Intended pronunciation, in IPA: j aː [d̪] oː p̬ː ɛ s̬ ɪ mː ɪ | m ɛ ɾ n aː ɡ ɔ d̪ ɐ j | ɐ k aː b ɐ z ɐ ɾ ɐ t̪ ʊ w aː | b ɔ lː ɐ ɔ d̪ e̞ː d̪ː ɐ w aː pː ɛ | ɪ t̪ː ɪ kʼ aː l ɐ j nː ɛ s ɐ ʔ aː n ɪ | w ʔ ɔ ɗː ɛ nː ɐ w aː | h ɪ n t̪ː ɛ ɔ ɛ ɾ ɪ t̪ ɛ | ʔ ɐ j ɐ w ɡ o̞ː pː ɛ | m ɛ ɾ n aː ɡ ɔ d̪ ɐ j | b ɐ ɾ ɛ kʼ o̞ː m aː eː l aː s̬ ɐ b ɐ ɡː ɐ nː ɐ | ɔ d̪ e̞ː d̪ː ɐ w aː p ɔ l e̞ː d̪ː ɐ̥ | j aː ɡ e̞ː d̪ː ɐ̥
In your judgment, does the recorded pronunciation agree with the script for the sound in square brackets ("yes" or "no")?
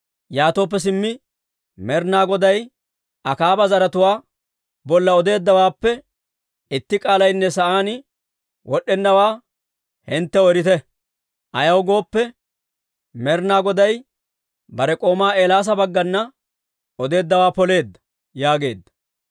no